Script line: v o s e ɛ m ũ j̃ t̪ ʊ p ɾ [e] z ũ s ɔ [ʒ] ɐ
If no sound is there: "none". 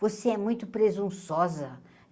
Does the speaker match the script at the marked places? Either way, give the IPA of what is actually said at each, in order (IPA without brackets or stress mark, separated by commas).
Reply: e, z